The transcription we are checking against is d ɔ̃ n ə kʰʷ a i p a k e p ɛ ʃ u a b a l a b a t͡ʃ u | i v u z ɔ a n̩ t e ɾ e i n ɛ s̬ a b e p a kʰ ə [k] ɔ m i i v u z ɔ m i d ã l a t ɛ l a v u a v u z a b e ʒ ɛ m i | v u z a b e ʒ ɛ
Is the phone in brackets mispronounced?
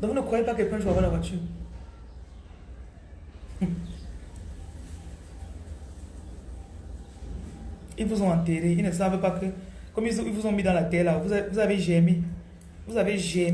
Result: no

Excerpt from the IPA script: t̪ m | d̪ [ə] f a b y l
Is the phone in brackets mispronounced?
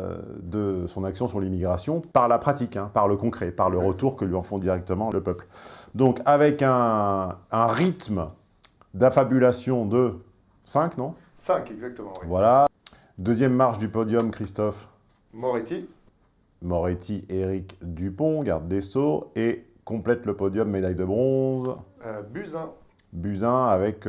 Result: yes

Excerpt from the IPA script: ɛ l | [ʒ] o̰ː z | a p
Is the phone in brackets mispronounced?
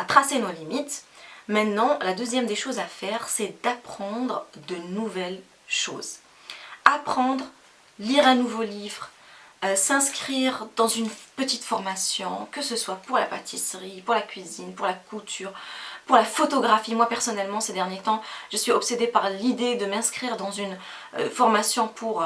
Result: yes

